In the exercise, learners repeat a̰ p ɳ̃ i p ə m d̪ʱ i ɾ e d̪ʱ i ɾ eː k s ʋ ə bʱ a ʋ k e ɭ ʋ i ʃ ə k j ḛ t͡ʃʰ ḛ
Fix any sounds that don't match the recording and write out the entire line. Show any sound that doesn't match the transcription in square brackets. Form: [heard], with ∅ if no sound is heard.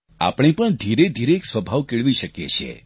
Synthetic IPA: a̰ p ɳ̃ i p ə [ɳ] d̪ʱ i ɾ e d̪ʱ i ɾ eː k s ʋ ə bʱ a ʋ k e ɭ ʋ i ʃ ə k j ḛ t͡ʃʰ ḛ

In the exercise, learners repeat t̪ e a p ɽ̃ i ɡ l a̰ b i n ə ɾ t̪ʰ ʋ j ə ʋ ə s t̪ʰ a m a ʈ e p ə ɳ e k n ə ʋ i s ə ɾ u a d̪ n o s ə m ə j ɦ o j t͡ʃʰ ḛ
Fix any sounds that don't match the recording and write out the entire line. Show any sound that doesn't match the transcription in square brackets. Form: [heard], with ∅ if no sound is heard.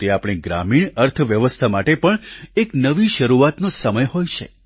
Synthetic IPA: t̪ e a p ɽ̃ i ɡ [ɾ] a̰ [m] i [ɳ] ə ɾ t̪ʰ ʋ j ə ʋ ə s t̪ʰ a m a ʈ e p ə ɳ e k n ə ʋ i [ʃ] ə ɾ u a [t̪] n o s ə m ə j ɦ o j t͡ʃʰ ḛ

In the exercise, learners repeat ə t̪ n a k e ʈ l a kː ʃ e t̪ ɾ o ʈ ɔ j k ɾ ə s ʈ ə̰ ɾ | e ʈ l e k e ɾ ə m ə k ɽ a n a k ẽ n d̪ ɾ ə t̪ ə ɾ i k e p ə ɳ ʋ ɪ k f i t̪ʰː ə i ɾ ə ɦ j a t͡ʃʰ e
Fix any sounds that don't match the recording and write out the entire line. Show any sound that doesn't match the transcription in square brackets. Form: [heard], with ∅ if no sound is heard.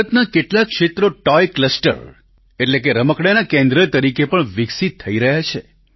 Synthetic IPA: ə t̪ n a k e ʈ l a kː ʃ e t̪ ɾ o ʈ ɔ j k [l] ə s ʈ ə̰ ɾ | e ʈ l e k e ɾ ə m ə k ɽ a n a k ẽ n d̪ ɾ ə t̪ ə ɾ i k e p ə ɳ ʋ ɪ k [s] i t̪ʰː ə i ɾ ə ɦ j a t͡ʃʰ e

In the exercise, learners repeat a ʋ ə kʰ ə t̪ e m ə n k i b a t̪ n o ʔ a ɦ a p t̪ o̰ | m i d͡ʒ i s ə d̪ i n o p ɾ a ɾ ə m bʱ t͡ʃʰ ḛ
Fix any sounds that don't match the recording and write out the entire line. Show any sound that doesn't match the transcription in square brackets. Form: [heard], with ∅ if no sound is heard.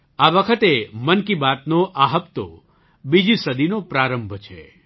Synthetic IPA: a ʋ ə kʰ ə t̪ e m ə n k i b a t̪ n o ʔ a ɦ [ə] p t̪ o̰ | [b] i d͡ʒ i s ə d̪ i n o p ɾ a ɾ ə m bʱ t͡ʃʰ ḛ

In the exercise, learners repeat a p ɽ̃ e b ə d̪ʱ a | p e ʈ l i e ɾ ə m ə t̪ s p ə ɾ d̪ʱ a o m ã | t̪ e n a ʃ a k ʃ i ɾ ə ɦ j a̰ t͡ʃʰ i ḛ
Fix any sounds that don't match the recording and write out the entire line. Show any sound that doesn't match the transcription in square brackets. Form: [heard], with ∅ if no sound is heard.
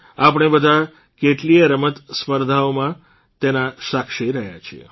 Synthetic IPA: a p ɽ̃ e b ə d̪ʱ a | [k] e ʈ l i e ɾ ə m ə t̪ s p ə ɾ d̪ʱ a o m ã | t̪ e n a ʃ a k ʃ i ɾ ə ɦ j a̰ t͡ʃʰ i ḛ

